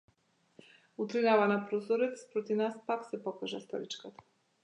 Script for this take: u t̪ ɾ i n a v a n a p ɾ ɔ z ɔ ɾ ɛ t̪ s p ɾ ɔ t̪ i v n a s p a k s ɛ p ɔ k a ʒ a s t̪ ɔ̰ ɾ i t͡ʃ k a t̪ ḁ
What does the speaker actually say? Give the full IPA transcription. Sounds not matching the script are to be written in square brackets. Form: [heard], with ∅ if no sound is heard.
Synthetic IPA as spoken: u t̪ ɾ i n a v a n a p ɾ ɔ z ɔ ɾ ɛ t̪ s p ɾ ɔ t̪ i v n a s p a k s ɛ p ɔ k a ʒ a s t̪ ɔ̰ ɾ i t͡ʃ k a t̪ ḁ